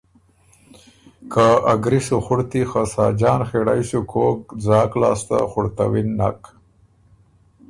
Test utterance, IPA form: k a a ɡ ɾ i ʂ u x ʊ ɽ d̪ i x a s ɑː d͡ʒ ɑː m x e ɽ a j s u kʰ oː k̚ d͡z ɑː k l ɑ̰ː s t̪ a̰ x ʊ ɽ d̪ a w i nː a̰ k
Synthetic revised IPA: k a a ɡ ɾ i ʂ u x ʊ ɽ t̪ i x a s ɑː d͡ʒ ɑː n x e ɽ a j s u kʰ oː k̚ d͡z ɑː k l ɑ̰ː s t̪ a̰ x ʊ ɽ t̪ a w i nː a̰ k